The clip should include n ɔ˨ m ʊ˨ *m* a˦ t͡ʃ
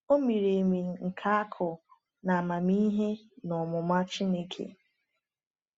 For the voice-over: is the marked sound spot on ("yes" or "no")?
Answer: yes